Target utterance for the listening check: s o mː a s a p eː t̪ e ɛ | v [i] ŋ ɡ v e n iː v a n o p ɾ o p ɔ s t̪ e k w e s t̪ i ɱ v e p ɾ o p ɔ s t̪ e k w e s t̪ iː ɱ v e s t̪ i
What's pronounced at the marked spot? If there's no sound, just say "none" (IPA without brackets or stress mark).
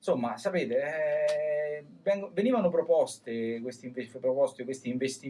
ɛ